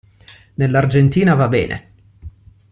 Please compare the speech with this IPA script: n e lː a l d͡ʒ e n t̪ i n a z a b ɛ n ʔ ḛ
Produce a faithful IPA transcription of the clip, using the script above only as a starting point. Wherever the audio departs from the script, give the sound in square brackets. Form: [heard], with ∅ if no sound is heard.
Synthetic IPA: n e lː a [r] d͡ʒ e n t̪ [iː] n a [v] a b [ɛː] n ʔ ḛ